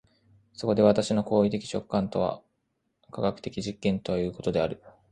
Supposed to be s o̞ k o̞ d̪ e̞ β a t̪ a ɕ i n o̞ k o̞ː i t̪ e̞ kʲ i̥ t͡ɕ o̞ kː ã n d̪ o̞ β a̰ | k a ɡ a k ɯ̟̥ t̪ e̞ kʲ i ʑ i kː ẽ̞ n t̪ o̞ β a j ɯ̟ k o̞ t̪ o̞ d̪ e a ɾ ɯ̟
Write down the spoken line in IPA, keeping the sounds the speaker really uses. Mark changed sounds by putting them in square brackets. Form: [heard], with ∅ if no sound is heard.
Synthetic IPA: s o̞ k o̞ d̪ e̞ β a t̪ a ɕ i n o̞ k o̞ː i t̪ e̞ kʲ i̥ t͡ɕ o̞ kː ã n [t̪] o̞ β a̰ | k a ɡ a k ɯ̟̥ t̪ e̞ kʲ i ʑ i kː ẽ̞ n t̪ o̞ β a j [ɯ̟ː] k o̞ t̪ o̞ d̪ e a ɾ ɯ̟